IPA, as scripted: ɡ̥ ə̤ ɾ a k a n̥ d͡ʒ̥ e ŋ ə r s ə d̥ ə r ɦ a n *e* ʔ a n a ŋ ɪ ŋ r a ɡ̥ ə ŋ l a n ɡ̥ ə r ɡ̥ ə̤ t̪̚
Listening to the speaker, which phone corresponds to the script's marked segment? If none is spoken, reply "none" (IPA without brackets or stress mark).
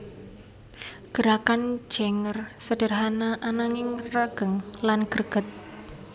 a